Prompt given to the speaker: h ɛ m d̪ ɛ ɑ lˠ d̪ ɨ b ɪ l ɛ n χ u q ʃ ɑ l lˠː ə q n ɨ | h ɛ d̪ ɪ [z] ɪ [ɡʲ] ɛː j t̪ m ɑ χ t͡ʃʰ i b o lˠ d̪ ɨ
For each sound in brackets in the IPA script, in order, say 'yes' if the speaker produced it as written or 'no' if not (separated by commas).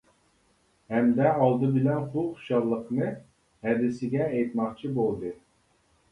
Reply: no, yes